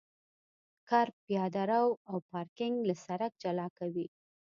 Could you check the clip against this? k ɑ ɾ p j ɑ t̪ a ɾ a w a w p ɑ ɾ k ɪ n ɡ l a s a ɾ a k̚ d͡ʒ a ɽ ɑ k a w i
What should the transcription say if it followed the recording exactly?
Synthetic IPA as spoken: k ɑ ɾ p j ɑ d̪ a ɾ a w a w p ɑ ɾ k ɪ ŋ ɡ l a s a ɾ a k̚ d͡ʒ a l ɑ k a w i